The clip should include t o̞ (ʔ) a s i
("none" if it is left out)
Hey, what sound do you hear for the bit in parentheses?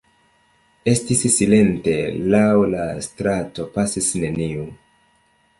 p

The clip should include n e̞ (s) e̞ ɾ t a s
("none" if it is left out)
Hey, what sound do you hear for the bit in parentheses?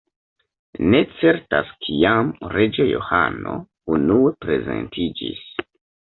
t͡s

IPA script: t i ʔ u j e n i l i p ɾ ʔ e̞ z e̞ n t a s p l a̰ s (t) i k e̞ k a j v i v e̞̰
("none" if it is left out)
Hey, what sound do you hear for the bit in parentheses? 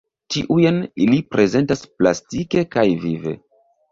t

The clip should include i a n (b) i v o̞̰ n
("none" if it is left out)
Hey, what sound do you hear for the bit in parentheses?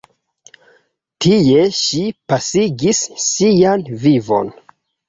v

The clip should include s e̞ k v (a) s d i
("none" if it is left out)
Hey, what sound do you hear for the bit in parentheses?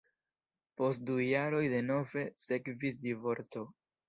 i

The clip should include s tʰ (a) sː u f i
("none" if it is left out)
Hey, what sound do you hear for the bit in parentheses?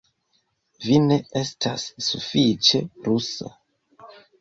a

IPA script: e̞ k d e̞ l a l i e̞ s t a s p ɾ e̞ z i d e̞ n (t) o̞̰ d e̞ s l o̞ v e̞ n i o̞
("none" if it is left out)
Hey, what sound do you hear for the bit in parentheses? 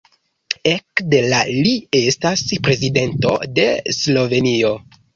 t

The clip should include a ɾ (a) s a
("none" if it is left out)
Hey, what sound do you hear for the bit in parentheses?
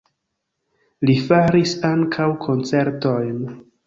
i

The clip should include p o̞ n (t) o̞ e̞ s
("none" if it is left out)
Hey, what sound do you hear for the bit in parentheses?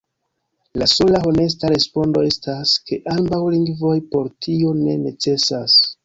d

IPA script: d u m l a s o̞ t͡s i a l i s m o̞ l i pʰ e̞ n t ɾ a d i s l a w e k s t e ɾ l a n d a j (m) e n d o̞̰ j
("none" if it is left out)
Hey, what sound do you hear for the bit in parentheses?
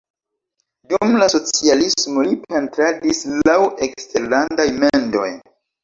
m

